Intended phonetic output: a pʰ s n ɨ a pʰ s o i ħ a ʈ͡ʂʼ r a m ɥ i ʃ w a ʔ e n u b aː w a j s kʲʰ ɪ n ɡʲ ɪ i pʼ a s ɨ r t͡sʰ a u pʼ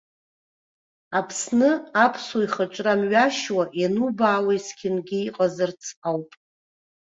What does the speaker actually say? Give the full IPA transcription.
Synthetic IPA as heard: a pʰ s n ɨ a pʰ s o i χ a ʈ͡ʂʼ r a m ɥ a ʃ w a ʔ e n u b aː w a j s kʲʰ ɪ n ɡʲ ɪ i qʼ a z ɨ r t͡sʰ a w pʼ